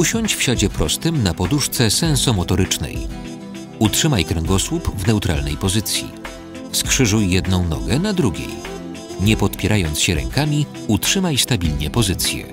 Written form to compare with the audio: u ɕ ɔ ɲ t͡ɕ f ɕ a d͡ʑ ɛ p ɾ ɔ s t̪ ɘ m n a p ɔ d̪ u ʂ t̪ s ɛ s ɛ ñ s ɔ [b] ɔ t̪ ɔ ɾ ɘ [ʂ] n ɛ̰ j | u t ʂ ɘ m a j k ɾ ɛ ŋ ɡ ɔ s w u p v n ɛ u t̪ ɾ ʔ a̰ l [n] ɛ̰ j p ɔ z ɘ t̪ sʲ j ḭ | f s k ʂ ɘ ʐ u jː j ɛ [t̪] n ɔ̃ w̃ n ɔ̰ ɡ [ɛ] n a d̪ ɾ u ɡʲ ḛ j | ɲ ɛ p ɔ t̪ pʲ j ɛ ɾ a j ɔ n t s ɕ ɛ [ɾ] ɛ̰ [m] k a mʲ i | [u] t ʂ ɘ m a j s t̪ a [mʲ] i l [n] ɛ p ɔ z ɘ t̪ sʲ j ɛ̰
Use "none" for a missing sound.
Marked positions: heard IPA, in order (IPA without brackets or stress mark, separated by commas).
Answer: m, t͡ʂ, n, d̪, ɛ, ɾ, ŋ, u, bʲ, ɲ